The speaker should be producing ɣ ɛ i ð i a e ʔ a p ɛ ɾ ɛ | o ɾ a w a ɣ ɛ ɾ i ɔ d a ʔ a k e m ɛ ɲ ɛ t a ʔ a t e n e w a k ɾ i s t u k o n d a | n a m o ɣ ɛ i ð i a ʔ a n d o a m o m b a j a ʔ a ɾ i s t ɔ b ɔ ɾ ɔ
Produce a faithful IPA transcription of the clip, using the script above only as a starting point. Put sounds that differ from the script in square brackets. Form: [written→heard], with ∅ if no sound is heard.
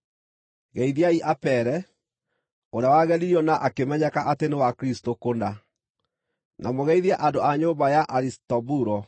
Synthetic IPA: ɣ ɛ i ð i a [e→i] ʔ a p ɛ ɾ ɛ | o ɾ a w a ɣ ɛ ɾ i ɔ [d→n] a ʔ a k e m ɛ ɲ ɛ [t→k] a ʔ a t e n e w a k ɾ i s t [u→o] k o n d a | n a m o ɣ ɛ i ð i a ʔ a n d o a [m→ɲ] o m b a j a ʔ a ɾ i s t ɔ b [ɔ→u] ɾ ɔ

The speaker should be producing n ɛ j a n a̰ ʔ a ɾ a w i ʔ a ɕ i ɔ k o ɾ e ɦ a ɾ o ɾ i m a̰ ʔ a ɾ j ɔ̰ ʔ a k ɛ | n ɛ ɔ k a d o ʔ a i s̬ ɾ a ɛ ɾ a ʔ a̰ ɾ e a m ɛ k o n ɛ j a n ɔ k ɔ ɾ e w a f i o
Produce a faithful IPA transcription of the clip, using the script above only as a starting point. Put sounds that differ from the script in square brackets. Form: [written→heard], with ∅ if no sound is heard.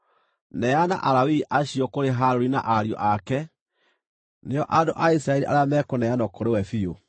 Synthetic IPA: n ɛ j a n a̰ ʔ a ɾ a w i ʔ a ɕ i ɔ k o ɾ e ɦ a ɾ o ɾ i [m→n] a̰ ʔ a ɾ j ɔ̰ ʔ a k ɛ | n [ɛ→e] ɔ [k→ʔ] a d o ʔ a i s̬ ɾ a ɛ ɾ [a→i] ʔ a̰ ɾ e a m ɛ k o n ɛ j a n ɔ k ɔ ɾ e w [a→ɛ] f i o

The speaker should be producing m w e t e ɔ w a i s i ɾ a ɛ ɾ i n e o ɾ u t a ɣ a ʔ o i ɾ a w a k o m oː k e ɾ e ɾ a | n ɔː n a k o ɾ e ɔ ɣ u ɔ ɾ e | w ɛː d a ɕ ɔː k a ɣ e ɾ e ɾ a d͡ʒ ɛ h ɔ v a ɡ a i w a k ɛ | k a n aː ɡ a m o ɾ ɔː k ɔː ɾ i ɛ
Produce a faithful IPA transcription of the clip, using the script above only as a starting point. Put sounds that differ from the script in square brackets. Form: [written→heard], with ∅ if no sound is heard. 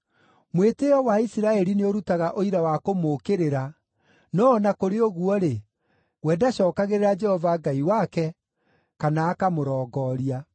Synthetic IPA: m w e t e ɔ w a i s i ɾ a ɛ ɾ i n e o ɾ u t a ɣ a ʔ o i ɾ a w a k o m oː k e ɾ e ɾ a | n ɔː n a k o ɾ e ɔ ɣ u ɔ ɾ e | w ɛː d a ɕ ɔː k a ɣ e ɾ e ɾ a d͡ʒ ɛ h ɔ v a ɡ a i w a k ɛ | k a n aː [ɡ→k] a m o ɾ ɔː [k→ɡ] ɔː ɾ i [ɛ→a]

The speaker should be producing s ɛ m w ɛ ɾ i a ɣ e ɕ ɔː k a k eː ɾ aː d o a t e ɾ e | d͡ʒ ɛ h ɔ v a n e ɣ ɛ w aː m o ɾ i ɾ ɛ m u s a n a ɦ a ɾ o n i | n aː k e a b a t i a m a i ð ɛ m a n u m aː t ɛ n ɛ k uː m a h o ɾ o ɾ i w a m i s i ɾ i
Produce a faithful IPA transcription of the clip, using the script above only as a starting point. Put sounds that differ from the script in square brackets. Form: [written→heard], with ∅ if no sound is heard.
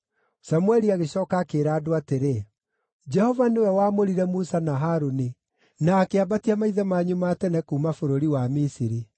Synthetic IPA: s [ɛ→a] m w ɛ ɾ i a ɣ e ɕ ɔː k a k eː ɾ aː d o a t e ɾ e | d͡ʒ ɛ h ɔ v a n e [ɣ→w] ɛ w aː m o ɾ i ɾ ɛ m u s a n a ɦ a ɾ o n i | n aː k e a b a t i a m a i ð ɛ m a [n→ɲ] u m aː t ɛ n ɛ k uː m a [h→f] o ɾ o ɾ i w a m i s i ɾ i

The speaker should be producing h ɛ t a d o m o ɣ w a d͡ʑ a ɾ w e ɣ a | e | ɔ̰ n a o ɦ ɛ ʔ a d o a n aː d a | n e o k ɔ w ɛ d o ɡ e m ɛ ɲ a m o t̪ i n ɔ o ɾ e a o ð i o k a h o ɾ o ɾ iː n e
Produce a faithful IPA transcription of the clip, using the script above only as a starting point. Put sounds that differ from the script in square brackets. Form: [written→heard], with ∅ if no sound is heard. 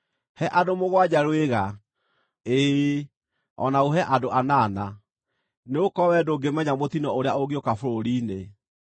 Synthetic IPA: h ɛ [t→ʔ] a d o m o ɣ w a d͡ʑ a ɾ w e ɣ a | e | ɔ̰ n a o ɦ ɛ ʔ a d o a n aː [d→n] a | n e o k ɔ w ɛ d o ɡ e m ɛ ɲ a m o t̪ i n ɔ o ɾ e a o [ð→ɣ] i o k a [h→f] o ɾ o ɾ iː n e

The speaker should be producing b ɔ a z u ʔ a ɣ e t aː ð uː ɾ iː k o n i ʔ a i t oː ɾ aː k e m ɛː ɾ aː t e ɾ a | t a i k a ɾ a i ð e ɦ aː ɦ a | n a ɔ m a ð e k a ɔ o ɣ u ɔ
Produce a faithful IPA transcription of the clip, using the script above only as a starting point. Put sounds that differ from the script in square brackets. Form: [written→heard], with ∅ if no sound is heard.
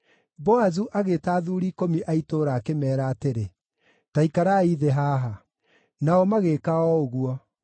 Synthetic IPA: b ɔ a z u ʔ a ɣ e t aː ð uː ɾ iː k o [n→m] i ʔ a i t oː ɾ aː k e m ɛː ɾ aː t e ɾ [a→e] | t a i k a ɾ a i ð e ɦ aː ɦ a | n a ɔ m a [ð→ɣ] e k a ɔ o ɣ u ɔ

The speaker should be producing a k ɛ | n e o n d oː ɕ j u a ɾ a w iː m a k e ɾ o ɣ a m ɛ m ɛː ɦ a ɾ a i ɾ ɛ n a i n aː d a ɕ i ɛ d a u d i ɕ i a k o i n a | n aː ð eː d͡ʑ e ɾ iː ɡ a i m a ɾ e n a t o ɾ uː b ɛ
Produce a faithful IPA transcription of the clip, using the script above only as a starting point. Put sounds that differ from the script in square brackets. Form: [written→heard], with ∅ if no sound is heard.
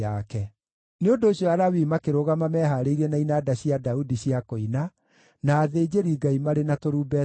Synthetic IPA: a k ɛ | n e o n d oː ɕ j [u→ɔ] a ɾ a w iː m a k e ɾ o ɣ a m [ɛ→a] m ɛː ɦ a ɾ [a→e] i ɾ ɛ n a i n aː d a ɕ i [ɛ→a] d a u d i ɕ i a k o i n a | n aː ð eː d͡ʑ e ɾ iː ɡ a i m a ɾ e n a t o ɾ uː b ɛ

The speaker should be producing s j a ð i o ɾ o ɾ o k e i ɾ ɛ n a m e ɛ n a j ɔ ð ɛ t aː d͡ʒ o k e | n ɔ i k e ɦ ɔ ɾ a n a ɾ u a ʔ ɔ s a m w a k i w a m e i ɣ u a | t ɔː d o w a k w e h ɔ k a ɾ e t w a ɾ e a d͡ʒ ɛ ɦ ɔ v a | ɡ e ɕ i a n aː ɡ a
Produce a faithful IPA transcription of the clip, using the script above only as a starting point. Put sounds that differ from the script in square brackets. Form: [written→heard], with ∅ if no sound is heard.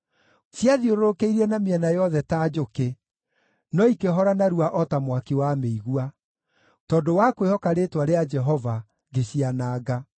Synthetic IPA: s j a ð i o ɾ o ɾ o k e i ɾ ɛ n a m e ɛ n a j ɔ ð ɛ t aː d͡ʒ o k e | n ɔ i k e ɦ ɔ ɾ a n a ɾ u a ʔ ɔ [s→t] a m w a k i w a m e i ɣ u a | t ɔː d o w a k w e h ɔ k a ɾ e t w a ɾ e a d͡ʒ ɛ ɦ ɔ v a | ɡ e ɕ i a n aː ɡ a

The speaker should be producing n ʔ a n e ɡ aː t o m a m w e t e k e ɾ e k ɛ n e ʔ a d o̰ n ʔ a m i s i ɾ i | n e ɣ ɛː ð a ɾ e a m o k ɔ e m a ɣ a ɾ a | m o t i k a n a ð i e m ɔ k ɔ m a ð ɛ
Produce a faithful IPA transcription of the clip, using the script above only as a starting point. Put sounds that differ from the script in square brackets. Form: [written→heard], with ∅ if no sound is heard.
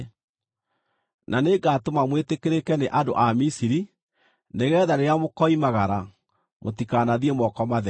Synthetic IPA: n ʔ a n e ɡ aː t o m a m w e t e k e ɾ e k ɛ n e ʔ a d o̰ [n→∅] ʔ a m i s i ɾ i | n e ɣ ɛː ð a ɾ e a m o k ɔ [e→i] m a ɣ a ɾ a | m o t i k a n a ð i e m ɔ k ɔ m a ð ɛ

